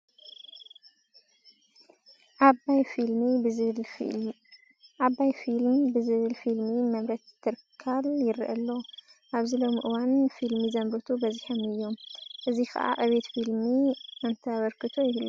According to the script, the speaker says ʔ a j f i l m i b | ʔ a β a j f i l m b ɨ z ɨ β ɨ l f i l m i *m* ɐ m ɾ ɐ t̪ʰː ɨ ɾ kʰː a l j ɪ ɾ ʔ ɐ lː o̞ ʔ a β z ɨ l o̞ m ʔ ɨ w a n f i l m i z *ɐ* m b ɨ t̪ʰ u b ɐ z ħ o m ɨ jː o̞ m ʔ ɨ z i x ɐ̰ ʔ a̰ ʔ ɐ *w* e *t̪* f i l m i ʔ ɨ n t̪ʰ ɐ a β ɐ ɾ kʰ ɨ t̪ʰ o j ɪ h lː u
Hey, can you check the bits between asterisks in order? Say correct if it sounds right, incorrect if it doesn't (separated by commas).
correct, correct, incorrect, correct